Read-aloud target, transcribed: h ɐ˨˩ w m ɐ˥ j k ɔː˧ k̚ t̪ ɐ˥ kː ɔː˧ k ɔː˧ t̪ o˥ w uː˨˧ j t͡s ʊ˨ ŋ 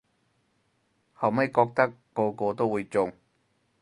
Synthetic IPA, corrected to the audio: h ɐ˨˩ w m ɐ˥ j k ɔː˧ k̚ t̪ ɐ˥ kː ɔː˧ k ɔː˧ t̪ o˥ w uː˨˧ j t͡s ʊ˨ ŋ